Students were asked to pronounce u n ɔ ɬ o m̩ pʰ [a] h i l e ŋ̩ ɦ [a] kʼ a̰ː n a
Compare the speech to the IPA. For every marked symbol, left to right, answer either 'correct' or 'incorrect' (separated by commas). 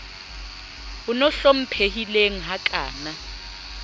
incorrect, correct